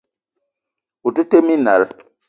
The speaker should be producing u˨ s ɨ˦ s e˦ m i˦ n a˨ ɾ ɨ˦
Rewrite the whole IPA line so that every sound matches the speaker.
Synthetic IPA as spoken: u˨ t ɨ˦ t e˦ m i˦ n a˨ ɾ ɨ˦